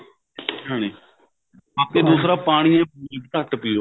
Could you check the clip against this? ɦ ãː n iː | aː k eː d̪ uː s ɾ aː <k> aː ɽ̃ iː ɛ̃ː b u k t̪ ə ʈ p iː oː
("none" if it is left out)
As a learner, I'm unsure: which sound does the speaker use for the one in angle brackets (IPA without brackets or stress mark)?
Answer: p